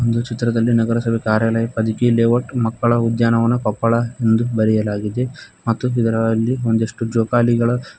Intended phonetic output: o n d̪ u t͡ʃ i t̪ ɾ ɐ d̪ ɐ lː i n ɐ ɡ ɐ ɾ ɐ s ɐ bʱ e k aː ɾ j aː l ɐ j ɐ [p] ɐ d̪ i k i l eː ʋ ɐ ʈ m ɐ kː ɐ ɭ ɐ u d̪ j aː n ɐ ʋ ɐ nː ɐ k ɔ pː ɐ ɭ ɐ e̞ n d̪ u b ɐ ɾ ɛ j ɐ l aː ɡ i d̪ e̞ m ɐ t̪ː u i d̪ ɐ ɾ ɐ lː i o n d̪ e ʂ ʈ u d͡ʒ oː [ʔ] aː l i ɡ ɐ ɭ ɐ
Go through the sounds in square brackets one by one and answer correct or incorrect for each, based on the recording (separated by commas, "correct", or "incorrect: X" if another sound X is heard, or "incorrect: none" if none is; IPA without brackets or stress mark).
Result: correct, incorrect: k